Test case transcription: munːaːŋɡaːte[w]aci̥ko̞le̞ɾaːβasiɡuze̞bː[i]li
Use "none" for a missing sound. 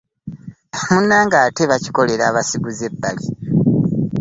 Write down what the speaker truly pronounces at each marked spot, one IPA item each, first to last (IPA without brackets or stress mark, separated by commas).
β, a